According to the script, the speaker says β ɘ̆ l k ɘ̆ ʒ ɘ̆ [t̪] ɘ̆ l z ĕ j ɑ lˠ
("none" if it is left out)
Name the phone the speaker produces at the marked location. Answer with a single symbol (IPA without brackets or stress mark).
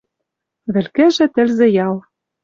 t̪